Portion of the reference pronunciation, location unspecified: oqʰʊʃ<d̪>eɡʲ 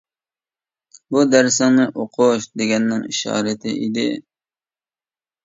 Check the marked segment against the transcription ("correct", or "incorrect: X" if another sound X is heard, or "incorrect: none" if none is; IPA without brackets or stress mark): correct